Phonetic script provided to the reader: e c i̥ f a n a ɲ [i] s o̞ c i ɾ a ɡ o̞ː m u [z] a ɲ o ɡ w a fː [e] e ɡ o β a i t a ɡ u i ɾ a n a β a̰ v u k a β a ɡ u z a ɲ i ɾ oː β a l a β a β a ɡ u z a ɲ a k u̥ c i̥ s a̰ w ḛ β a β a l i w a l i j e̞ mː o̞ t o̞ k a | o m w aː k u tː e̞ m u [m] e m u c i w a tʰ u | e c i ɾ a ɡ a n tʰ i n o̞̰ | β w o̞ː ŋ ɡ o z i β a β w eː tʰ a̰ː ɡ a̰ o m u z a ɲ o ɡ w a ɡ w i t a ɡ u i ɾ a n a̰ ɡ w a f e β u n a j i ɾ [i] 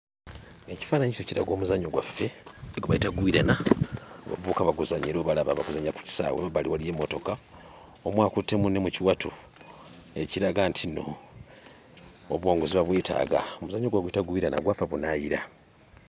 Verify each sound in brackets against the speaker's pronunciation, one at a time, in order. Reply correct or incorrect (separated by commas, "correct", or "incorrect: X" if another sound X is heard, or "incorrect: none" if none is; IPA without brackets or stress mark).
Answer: correct, correct, correct, incorrect: n, incorrect: a